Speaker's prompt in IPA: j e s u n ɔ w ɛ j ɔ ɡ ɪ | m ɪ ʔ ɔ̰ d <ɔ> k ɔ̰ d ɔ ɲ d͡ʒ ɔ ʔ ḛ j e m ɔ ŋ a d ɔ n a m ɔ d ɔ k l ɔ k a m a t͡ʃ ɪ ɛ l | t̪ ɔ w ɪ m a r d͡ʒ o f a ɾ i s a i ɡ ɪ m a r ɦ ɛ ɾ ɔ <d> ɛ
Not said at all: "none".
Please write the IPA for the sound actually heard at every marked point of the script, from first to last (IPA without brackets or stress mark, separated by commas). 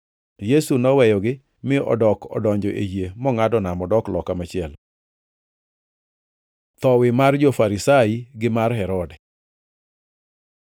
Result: ɔ, d